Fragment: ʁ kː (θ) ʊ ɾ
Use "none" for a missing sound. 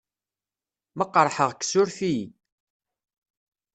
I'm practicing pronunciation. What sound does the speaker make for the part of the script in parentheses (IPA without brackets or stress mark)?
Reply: s